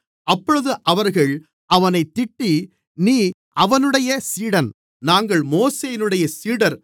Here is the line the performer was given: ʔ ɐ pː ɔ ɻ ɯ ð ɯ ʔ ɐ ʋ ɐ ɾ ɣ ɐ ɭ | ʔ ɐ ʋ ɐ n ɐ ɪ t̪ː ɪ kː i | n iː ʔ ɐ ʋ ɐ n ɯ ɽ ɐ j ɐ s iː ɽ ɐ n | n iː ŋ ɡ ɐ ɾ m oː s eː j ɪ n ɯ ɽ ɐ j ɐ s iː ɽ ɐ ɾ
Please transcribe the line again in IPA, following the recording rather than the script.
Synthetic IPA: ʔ ɐ pː ɔ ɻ ɯ ð ɯ ʔ ɐ ʋ ɐ ɾ ɣ ɐ ɭ | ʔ ɐ ʋ ɐ n ɐ ɪ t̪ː ɪ ʈː i | n iː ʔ ɐ ʋ ɐ n ɯ ɽ ɐ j ɐ s iː ɽ ɐ n | n aː ŋ ɡ ɐ ɭ m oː s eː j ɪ n ɯ ɽ ɐ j ɐ s iː ɽ ɐ ɾ